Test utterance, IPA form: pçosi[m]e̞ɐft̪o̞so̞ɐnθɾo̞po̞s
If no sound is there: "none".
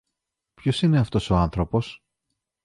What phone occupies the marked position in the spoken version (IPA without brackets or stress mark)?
n